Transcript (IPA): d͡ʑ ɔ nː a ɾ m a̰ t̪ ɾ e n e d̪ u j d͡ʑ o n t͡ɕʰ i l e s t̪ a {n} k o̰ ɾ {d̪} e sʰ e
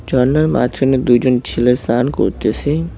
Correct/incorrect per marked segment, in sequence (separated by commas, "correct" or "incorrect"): correct, incorrect